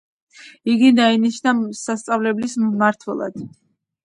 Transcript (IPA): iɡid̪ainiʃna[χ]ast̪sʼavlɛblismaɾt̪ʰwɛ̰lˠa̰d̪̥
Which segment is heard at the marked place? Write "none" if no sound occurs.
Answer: s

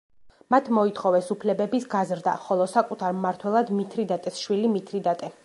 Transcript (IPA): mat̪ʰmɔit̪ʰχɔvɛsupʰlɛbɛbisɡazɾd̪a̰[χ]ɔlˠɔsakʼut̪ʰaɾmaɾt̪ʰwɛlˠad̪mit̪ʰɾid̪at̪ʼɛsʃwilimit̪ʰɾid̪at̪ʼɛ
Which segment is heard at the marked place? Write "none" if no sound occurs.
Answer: χ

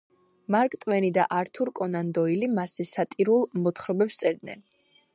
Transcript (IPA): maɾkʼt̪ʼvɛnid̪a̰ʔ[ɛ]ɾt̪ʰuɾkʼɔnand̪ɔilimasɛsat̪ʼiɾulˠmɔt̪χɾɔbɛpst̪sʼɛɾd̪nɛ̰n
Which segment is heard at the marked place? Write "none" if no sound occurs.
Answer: a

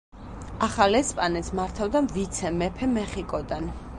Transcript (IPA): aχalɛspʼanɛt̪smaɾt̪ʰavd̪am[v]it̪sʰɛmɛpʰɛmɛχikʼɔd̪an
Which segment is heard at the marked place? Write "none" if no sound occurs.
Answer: v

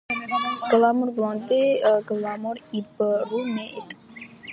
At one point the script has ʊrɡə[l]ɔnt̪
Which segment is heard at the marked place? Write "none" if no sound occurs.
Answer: l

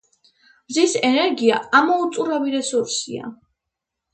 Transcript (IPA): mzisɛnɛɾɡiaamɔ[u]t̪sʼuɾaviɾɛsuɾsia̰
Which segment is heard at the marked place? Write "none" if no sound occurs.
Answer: u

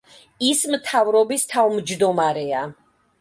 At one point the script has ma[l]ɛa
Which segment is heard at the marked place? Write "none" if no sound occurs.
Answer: ɾ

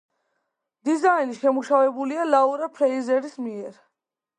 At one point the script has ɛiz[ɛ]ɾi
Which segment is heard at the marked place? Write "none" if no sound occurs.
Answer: ɛ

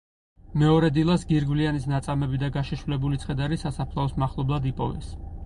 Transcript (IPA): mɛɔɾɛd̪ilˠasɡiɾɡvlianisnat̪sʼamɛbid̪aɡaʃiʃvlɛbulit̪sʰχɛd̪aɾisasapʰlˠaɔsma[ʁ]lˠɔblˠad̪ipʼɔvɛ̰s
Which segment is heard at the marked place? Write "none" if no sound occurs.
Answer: χ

